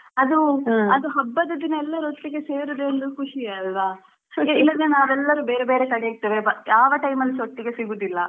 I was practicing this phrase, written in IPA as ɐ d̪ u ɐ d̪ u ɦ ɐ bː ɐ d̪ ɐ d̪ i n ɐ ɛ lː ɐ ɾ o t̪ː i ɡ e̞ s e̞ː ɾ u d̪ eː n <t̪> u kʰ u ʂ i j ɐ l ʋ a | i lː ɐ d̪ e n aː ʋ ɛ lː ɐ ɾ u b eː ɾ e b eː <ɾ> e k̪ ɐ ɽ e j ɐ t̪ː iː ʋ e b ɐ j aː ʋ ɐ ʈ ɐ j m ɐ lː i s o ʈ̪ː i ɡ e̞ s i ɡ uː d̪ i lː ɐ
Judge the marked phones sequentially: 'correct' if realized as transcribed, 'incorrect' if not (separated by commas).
incorrect, correct